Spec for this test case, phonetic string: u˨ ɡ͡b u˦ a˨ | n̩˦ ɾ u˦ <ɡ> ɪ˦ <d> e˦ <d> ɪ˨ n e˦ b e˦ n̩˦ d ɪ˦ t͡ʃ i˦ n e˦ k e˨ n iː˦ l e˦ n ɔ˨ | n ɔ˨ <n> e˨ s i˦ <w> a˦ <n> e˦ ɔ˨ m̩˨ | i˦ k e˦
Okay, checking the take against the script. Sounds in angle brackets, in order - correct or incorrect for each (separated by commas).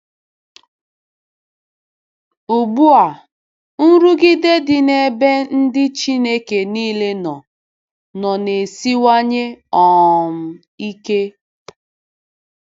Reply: correct, correct, correct, correct, correct, incorrect